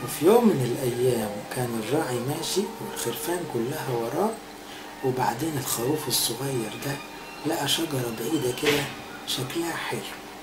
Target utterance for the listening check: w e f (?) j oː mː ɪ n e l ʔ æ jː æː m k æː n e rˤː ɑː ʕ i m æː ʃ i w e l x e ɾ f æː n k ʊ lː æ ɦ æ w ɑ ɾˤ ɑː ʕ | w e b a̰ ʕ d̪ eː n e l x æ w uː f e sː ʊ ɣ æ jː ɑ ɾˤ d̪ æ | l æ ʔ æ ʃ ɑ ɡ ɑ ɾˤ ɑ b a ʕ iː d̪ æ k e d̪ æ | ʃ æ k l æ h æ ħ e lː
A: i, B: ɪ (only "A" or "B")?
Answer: A